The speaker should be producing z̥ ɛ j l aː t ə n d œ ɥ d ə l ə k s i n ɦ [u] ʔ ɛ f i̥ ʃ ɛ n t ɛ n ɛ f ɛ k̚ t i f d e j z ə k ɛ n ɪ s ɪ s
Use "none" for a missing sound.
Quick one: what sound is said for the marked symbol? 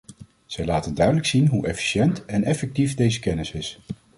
u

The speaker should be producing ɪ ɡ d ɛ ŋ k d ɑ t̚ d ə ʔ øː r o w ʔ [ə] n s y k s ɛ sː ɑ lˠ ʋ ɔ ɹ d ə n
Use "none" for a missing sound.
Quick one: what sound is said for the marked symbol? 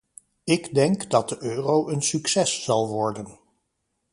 ə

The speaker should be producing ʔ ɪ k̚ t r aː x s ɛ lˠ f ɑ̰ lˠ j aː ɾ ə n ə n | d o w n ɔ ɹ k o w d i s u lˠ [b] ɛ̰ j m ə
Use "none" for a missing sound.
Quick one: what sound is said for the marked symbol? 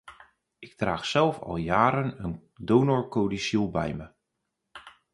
b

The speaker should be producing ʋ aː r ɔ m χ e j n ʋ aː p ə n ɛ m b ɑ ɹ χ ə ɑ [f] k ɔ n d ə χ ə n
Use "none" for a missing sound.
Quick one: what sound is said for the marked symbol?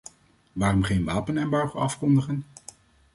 f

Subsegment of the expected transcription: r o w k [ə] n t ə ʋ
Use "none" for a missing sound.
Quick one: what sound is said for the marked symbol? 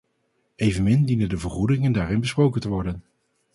ə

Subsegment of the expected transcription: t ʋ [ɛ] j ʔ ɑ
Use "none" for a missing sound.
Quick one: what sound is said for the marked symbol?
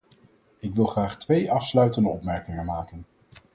e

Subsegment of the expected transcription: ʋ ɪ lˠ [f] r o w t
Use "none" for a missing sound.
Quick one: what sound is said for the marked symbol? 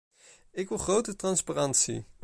χ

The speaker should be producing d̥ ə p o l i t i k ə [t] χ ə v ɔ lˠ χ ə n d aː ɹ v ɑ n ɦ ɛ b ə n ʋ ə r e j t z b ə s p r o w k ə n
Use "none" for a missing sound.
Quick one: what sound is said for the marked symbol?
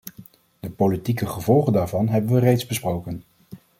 none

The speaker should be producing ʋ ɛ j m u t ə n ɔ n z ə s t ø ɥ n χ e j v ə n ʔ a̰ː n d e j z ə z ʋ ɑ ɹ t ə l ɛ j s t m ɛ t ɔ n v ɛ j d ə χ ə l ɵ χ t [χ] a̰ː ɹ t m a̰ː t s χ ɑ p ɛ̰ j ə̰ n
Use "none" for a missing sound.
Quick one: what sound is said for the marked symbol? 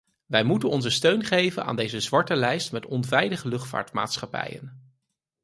f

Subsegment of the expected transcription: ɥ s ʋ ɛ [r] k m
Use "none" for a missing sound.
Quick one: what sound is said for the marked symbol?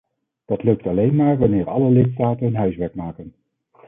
ɹ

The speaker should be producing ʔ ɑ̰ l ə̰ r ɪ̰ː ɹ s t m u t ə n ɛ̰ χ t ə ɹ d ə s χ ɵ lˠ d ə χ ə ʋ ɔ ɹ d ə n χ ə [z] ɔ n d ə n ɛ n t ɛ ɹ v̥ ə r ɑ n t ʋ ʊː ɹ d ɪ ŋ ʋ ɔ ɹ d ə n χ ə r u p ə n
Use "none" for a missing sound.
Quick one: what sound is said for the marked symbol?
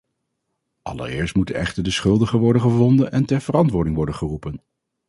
v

